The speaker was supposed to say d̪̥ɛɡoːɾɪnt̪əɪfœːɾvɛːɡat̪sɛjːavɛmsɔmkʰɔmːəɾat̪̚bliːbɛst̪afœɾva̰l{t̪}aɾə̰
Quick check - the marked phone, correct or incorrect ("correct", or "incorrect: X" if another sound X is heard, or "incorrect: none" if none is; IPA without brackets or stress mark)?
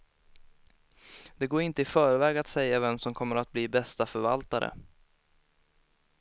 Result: correct